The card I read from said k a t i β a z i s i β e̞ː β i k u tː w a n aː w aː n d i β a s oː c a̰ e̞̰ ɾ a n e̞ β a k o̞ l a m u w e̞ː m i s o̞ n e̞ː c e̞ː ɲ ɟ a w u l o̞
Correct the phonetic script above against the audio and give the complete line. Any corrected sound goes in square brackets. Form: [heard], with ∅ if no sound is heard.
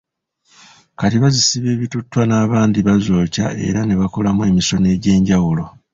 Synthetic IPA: k a t i β a z i s i β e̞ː β i [t] u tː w a n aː [β] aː n d i β a [z] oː c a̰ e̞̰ ɾ a n e̞ β a k o̞ l a m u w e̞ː m i s o̞ n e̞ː [ɟ] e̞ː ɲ ɟ a w u l o̞